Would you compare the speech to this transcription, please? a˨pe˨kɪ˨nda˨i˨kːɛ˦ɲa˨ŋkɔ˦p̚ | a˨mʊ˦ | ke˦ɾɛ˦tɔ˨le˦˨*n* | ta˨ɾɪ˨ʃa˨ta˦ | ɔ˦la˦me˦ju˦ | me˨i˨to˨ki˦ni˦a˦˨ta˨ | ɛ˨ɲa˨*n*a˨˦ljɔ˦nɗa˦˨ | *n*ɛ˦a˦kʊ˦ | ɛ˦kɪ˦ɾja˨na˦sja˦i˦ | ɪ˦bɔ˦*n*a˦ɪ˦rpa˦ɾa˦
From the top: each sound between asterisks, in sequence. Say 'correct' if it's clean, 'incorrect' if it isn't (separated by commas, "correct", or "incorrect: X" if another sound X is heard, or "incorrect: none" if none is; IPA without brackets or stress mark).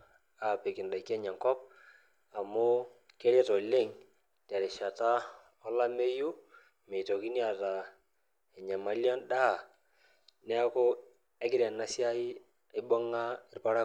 incorrect: ŋ, incorrect: m, correct, incorrect: ŋ